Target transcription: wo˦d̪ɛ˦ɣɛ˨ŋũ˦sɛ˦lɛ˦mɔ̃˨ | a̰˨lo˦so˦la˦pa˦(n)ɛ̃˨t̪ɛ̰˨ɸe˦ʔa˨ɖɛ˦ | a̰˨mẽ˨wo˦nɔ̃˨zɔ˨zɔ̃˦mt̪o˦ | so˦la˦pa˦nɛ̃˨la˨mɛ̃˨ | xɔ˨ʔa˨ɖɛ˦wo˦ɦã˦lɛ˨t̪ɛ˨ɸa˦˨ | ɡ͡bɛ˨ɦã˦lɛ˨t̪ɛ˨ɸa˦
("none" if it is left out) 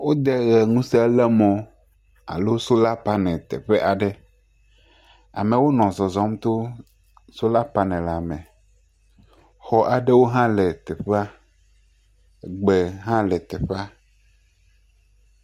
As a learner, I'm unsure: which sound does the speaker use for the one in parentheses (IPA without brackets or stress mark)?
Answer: n